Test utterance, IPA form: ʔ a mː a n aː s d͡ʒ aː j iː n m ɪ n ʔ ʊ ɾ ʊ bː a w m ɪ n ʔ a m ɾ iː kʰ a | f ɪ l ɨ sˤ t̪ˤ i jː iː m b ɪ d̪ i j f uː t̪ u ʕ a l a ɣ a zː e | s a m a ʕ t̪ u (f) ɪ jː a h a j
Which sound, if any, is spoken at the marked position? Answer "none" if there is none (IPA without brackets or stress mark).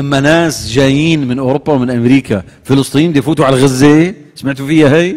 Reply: f